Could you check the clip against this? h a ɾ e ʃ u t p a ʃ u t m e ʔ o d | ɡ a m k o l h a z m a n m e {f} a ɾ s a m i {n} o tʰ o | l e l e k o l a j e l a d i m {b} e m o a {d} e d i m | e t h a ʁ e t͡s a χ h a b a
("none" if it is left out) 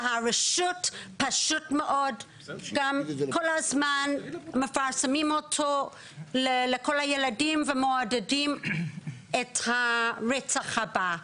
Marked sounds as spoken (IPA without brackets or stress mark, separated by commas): f, m, v, d